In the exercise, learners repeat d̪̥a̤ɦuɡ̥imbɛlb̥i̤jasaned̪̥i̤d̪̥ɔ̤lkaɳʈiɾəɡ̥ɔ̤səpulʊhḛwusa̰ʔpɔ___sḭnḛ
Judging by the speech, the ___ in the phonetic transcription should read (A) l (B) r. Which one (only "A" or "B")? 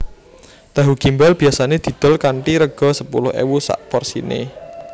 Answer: B